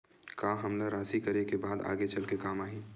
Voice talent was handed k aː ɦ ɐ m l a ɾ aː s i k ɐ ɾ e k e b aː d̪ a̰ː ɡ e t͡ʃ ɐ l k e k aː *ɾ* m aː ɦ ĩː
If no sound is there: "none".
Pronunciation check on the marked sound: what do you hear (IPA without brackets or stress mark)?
none